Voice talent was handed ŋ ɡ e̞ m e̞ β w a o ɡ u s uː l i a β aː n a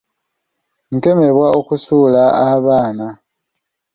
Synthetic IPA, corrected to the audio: ŋ k e̞ m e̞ β w a o k u s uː l a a β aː n a